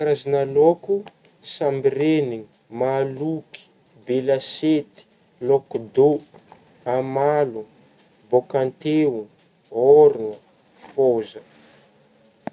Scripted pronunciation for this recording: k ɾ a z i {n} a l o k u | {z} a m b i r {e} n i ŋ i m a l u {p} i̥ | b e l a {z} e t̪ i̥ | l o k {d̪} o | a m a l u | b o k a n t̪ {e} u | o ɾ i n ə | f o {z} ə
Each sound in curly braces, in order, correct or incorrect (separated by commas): correct, incorrect, correct, incorrect, incorrect, correct, correct, correct